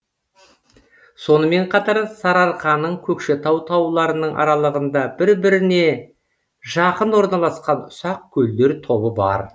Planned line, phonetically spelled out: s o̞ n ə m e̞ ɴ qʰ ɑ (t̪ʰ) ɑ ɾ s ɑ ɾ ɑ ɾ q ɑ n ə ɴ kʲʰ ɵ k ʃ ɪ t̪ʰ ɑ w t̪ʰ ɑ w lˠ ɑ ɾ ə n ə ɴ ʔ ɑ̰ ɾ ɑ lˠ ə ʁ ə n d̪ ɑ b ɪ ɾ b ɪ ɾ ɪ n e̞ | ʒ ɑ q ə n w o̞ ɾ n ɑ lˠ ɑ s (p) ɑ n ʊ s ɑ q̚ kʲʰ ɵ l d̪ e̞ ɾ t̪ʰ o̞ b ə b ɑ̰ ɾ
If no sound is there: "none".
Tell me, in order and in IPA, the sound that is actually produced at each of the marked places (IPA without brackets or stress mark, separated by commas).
t̪, q